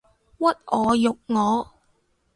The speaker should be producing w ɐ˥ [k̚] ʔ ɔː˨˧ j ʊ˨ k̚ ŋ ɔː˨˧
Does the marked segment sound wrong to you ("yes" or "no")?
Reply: yes